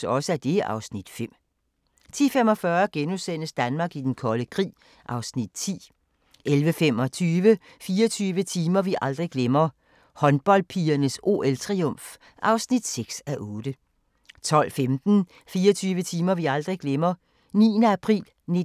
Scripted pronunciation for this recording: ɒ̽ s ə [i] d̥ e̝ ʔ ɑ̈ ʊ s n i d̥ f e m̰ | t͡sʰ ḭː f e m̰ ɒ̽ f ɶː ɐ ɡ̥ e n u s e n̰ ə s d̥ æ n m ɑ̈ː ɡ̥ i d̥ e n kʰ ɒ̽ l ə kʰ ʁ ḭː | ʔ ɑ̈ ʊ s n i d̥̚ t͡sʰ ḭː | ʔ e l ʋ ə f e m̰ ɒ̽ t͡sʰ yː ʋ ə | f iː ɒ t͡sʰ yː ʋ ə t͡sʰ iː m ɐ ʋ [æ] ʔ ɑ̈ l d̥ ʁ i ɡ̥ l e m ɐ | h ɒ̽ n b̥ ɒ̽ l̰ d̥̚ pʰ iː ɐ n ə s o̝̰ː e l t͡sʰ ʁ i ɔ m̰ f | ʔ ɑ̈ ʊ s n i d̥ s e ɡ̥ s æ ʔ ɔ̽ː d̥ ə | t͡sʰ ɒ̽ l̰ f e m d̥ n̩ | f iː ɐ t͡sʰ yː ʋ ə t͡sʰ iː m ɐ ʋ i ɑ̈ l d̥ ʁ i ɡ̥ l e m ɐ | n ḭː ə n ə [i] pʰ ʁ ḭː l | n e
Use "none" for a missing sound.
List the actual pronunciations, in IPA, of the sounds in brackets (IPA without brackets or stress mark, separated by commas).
æ, i, æ